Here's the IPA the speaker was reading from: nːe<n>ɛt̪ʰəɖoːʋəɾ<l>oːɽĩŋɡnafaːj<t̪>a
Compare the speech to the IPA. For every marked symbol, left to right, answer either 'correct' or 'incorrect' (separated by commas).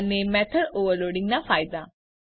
incorrect, correct, incorrect